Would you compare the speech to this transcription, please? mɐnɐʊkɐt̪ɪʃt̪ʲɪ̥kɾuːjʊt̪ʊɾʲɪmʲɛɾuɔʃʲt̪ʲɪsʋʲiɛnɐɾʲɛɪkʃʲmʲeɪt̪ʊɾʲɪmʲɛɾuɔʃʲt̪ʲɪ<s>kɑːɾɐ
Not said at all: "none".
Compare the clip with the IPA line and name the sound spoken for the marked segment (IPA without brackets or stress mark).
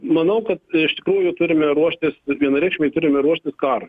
s